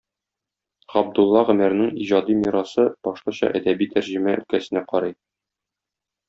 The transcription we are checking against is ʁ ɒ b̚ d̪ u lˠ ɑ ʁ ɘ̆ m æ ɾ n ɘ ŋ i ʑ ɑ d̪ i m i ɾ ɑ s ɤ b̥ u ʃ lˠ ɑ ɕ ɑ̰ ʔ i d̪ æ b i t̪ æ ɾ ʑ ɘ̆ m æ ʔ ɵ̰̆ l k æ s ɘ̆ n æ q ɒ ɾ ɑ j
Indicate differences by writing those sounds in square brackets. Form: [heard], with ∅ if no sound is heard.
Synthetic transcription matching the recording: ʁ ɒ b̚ d̪ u [lˠː] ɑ ʁ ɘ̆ m æ ɾ n ɘ ŋ i ʑ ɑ d̪ i m i ɾ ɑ s ɤ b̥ [ɒ] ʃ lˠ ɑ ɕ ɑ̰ ʔ [æ] d̪ æ b i t̪ æ ɾ ʑ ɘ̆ m æ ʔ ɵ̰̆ l k æ s ɘ̆ n æ q ɒ ɾ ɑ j